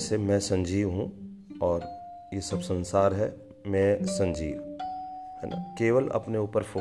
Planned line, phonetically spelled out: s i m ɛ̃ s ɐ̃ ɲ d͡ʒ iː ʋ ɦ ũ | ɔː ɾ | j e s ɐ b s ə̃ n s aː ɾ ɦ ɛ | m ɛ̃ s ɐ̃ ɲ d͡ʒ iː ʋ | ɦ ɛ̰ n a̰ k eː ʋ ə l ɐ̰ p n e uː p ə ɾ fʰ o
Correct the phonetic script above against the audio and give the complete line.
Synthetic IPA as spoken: s e m ɛ̃ s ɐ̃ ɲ d͡ʒ iː ʋ ɦ ũ | ɔː ɾ | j e s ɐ b s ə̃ n s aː ɾ ɦ ɛ | m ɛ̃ s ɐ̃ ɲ d͡ʒ iː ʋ | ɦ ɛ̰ n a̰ k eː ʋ ə l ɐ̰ p n e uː p ə ɾ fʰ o